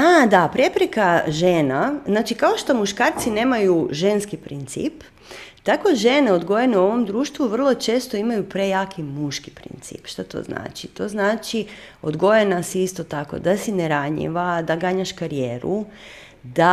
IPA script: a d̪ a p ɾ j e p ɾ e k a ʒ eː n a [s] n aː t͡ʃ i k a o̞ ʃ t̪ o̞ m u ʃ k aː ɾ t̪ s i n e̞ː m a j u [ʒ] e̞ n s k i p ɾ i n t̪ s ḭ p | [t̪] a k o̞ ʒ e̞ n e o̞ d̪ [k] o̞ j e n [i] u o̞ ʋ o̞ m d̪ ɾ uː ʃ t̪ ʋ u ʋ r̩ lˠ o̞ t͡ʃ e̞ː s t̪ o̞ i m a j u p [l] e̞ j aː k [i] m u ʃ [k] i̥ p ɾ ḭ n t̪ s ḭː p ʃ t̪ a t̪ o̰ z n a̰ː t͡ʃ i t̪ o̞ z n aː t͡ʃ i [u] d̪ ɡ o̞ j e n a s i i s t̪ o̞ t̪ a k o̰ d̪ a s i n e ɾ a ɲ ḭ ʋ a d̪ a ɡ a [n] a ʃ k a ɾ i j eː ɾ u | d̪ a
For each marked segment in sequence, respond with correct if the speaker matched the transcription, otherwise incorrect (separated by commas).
incorrect, correct, correct, incorrect, incorrect, incorrect, correct, correct, incorrect, incorrect